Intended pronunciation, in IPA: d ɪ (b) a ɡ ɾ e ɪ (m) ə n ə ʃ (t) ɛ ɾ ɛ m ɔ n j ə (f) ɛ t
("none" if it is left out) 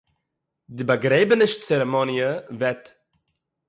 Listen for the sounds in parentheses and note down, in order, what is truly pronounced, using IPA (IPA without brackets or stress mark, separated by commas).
b, b, t͡s, v